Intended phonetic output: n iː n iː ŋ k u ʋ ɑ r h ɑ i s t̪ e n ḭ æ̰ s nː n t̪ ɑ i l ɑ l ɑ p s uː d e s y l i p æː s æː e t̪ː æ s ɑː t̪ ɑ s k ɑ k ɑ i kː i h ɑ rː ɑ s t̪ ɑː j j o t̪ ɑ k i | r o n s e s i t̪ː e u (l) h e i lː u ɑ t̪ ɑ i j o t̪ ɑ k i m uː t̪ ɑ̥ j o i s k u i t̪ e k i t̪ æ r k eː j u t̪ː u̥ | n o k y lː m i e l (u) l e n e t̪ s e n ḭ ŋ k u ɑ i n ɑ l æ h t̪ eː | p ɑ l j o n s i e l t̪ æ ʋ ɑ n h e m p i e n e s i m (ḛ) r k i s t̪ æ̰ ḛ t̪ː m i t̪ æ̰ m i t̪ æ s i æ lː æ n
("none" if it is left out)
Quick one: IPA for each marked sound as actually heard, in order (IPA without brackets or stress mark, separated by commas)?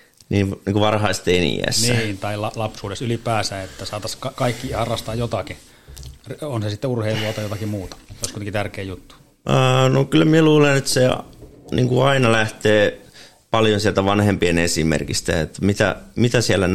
r, uː, ḛ